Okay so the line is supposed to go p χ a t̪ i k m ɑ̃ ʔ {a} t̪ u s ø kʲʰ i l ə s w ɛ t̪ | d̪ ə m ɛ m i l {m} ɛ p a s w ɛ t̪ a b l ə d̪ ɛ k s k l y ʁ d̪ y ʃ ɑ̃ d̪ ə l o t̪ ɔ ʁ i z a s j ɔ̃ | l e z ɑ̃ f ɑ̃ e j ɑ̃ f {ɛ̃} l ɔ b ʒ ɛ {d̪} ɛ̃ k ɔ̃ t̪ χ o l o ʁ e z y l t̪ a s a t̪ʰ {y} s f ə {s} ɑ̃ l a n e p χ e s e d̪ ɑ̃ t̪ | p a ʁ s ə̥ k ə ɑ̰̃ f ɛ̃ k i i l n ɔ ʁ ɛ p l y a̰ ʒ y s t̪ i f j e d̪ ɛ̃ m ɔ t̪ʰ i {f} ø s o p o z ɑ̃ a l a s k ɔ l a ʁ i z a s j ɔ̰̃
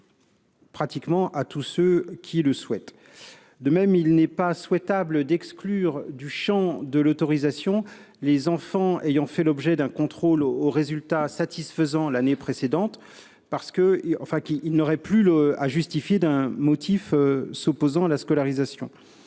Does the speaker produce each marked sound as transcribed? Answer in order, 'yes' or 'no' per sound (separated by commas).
yes, no, no, yes, no, no, yes